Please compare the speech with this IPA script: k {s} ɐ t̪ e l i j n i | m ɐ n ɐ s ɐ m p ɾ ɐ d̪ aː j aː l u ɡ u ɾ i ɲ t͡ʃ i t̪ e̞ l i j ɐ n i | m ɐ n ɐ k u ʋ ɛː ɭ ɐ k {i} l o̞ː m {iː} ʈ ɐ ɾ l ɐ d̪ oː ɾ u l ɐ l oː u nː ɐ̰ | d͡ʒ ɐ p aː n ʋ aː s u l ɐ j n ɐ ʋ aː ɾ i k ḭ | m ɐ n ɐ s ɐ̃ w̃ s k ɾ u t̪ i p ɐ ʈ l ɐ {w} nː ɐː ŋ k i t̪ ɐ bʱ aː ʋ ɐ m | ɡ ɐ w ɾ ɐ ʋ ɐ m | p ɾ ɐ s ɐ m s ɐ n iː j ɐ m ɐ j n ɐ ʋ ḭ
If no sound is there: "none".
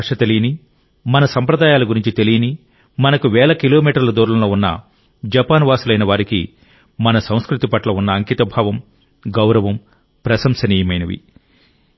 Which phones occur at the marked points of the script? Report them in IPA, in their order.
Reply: ʂ, i, iː, u

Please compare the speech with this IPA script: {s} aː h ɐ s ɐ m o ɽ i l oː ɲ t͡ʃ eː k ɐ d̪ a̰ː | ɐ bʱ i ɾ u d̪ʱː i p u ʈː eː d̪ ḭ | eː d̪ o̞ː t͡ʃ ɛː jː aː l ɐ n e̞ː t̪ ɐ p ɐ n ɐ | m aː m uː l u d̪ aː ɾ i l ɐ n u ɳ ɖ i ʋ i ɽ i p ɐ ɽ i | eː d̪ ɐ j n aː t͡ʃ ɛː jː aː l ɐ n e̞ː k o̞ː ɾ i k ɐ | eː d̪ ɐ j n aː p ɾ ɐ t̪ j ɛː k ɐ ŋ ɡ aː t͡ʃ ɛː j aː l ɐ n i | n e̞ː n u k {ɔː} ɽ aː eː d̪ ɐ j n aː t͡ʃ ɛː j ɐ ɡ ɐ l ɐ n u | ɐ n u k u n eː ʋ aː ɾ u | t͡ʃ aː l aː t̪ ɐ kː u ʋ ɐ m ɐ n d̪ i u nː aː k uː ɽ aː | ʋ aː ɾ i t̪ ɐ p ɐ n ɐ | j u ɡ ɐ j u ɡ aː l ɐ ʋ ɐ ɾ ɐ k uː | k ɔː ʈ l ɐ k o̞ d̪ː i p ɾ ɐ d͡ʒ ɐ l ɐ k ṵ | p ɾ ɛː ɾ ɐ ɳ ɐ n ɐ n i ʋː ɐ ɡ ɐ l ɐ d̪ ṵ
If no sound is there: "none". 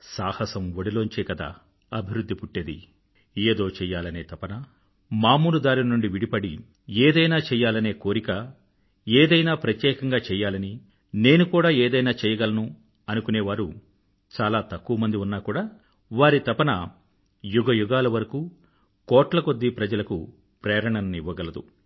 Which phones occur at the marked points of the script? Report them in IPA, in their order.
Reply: s, uː

